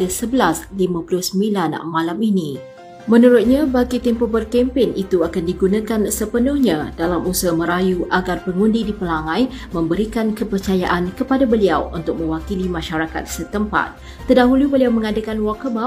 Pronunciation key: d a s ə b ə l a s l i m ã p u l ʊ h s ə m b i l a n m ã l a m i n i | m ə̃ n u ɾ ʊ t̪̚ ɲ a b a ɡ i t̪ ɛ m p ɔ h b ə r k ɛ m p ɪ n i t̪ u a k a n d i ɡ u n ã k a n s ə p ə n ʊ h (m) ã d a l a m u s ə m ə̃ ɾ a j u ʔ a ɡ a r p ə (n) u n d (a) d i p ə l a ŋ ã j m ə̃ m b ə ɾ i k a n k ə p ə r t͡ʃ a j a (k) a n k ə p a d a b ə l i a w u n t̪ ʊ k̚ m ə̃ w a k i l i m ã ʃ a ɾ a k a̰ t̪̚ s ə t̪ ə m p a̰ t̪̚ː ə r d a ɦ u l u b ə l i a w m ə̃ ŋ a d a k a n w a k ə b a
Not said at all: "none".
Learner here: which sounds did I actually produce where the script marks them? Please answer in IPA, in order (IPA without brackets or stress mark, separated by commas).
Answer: ɲ, ŋ, i, ʔ